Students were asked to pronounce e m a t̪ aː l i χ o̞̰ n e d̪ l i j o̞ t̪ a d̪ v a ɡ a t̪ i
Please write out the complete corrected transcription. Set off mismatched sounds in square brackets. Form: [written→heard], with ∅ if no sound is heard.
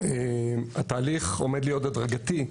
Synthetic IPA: e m a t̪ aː l i χ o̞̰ [n→m] e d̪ l i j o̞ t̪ a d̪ [v→ʁ] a ɡ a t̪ i

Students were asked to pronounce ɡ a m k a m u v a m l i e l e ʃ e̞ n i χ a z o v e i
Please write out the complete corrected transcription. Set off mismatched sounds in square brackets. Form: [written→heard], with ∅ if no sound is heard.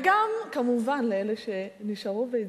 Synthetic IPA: ɡ a m k a m u v a [m→n] l [i→e] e l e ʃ e̞ n i [χ→ʃ] a [z→ʁ] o v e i

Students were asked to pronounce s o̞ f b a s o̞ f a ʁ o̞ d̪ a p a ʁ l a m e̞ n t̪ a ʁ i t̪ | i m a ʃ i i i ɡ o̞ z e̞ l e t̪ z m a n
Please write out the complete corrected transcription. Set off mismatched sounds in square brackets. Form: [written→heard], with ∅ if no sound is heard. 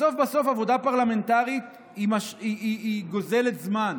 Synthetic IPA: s o̞ f b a s o̞ f a [ʁ→v] o̞ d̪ a p a ʁ l a m e̞ n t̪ a ʁ i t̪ | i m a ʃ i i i ɡ o̞ z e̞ l e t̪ z m a n

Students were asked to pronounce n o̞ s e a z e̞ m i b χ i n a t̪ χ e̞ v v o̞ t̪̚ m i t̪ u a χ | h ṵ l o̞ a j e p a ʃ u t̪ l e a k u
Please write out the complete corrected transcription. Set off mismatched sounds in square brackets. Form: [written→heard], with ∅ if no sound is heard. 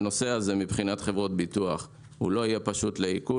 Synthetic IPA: n o̞ s e a z e̞ m i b χ i n a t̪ χ e̞ v [v→ʁ] o̞ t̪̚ [m→b] i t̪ u a χ | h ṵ l o̞ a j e p a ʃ u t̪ l e [a→i] k u

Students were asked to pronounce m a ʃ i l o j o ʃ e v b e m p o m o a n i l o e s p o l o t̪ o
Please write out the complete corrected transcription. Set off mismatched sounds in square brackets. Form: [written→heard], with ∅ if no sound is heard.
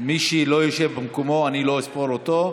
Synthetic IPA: m [a→i] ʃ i l o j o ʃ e v b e m [p→k] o m o a n i l o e s p o l o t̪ o

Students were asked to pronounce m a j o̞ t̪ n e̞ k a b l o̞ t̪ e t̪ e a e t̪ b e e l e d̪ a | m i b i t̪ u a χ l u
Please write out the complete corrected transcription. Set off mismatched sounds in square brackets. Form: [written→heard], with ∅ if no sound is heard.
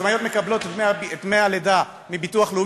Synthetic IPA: m a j o̞ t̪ [n→m] e̞ k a b l o̞ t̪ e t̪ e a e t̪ [b→m] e [e→a] l e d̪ a | m i b i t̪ u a χ l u

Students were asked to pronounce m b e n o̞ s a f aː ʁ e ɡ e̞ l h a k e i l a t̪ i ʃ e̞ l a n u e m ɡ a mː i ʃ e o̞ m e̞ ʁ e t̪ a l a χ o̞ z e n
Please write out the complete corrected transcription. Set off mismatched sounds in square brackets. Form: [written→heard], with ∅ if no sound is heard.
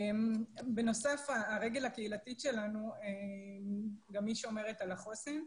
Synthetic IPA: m b e n o̞ s a f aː ʁ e ɡ e̞ l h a k e i l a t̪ i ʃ e̞ l a n u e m ɡ a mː i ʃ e o̞ m e̞ ʁ e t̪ a l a χ o̞ [z→s] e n

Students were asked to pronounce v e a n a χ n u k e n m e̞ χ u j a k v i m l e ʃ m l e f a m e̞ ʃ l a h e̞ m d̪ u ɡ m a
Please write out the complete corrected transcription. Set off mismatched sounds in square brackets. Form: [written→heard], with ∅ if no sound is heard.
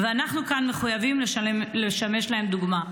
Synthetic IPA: v e a n a χ n u k [e→a] n m e̞ χ u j a [k→∅] v i m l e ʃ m l e [f→ʃ] a m e̞ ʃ l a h e̞ m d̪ u ɡ m a

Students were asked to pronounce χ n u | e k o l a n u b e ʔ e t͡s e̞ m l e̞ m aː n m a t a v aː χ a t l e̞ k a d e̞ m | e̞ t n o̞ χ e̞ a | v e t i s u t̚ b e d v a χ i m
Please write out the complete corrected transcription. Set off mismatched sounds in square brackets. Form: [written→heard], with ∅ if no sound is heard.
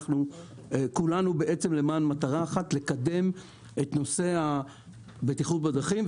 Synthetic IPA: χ n u | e k [o→u] l a n u b e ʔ e t͡s e̞ m l e̞ m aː n m a t a [v→ʁ] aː χ a t l e̞ k a d e̞ m | e̞ t n o̞ [χ→s] e̞ a | [v→b] e t i [s→χ] u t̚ b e d [v→ʁ] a χ i m

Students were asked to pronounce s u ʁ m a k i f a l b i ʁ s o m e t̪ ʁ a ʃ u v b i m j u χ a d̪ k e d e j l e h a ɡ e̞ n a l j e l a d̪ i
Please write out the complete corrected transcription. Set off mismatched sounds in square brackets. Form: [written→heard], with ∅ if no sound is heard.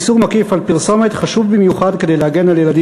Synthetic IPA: s u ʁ m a k i f a l [b→p] i ʁ s o m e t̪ [ʁ→χ] a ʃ u v b i m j u χ a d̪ k e d e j l e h a ɡ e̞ n a l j e l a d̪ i

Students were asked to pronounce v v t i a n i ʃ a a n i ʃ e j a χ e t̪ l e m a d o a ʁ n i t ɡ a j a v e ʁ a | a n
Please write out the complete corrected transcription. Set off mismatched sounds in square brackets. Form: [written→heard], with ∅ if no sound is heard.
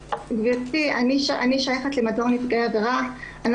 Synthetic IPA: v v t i a n i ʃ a a n i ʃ [e→a] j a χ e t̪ l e m a d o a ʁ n i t ɡ a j a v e ʁ a | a n

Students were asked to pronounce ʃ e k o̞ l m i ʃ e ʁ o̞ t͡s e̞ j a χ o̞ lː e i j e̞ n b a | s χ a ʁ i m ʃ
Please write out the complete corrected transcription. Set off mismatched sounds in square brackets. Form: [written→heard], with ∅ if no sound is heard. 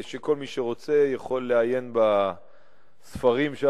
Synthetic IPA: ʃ e k o̞ l m i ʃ e ʁ o̞ t͡s e̞ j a χ o̞ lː e [i→a] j e̞ n b a | s [χ→f] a ʁ i m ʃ

